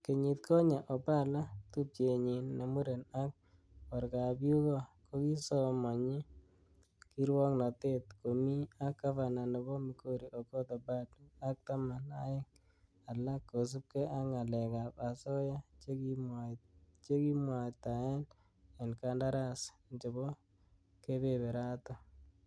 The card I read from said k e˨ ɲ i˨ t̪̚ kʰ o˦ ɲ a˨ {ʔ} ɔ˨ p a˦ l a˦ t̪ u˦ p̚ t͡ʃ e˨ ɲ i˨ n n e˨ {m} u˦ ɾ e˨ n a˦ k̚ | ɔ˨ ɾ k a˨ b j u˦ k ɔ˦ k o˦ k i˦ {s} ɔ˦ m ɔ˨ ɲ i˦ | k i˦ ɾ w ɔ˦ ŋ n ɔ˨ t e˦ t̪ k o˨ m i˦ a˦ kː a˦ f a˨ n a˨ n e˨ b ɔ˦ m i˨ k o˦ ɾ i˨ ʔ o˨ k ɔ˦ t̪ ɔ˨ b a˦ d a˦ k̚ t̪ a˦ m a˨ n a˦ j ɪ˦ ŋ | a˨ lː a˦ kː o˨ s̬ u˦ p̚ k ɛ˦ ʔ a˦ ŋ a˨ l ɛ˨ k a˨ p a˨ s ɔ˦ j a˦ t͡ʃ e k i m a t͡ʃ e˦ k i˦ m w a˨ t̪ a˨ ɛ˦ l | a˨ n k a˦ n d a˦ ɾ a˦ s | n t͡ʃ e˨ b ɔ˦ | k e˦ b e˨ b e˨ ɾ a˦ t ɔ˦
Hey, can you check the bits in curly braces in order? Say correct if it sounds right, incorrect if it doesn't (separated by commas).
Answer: correct, correct, correct